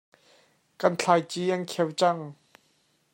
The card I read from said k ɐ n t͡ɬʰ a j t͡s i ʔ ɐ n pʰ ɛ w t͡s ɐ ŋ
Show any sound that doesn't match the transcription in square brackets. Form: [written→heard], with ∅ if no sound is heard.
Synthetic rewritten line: k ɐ n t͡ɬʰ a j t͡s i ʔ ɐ n [pʰ→kʰ] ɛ w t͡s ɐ ŋ